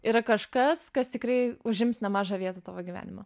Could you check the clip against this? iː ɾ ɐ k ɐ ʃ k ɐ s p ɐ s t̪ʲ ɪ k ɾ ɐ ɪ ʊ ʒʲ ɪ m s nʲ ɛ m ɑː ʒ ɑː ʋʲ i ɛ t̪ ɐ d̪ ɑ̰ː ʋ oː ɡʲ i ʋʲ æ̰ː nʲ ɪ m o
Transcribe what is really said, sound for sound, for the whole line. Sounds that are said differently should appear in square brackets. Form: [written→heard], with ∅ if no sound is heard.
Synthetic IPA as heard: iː ɾ ɐ k ɐ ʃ k ɐ s [p→k] ɐ s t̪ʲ ɪ k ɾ ɐ ɪ ʊ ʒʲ ɪ m s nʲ ɛ m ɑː ʒ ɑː ʋʲ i ɛ t̪ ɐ [d̪→t̪] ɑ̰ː ʋ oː ɡʲ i ʋʲ æ̰ː nʲ ɪ m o